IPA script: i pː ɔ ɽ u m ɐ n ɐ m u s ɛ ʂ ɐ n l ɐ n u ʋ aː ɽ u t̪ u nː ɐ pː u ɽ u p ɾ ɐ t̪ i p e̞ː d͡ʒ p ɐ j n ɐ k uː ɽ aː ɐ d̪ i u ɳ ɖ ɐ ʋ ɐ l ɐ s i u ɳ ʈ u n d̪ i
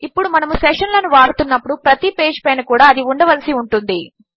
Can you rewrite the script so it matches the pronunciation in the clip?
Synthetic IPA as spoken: i pː u ɽ u m ɐ n ɐ m u s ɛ ʂ ɐ n l ɐ n u ʋ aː ɽ u t̪ u nː ɐ pː u ɽ u p ɾ ɐ t̪ i p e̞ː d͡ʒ p ɐ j n ɐ k uː ɽ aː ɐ d̪ i u ɳ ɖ ɐ ʋ ɐ l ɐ s i u ɳ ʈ u n d̪ i